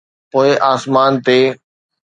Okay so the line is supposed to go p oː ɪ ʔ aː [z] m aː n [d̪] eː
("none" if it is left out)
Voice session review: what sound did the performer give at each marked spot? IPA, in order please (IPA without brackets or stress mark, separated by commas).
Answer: s, t̪